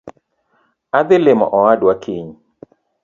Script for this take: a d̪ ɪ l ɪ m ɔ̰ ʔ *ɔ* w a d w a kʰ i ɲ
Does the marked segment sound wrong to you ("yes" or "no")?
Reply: no